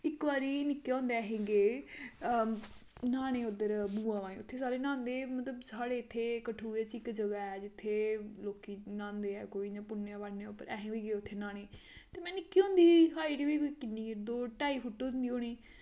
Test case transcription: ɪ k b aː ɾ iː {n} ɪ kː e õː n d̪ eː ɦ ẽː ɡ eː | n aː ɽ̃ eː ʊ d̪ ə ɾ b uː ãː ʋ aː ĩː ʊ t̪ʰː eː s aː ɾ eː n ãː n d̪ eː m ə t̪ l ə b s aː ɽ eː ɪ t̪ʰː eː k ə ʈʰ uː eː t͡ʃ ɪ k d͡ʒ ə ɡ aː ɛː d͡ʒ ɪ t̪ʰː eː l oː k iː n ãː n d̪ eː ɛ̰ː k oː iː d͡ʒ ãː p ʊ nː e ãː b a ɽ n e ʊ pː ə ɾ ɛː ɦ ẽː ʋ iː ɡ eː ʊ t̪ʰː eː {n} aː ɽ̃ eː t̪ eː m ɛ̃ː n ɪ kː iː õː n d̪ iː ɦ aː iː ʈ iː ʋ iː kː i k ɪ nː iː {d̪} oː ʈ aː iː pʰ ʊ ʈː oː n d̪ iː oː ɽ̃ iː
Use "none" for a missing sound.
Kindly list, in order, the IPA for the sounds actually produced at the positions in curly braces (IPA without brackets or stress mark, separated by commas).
n, n, d̪